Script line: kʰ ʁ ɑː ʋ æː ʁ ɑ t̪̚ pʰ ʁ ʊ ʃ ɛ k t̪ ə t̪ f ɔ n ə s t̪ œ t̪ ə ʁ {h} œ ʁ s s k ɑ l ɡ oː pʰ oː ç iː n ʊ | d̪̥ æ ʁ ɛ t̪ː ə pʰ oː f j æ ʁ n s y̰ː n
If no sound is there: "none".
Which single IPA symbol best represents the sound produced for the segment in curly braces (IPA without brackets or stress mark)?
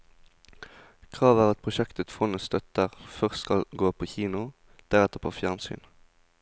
f